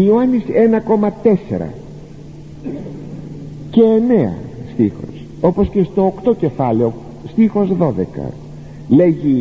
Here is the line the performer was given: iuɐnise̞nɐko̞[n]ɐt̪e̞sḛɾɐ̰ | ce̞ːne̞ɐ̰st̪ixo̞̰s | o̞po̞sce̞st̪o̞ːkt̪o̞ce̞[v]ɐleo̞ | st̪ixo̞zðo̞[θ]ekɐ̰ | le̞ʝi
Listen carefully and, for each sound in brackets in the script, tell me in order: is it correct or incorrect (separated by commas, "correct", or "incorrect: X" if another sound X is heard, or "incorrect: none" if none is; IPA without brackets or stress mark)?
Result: incorrect: m, incorrect: f, incorrect: ð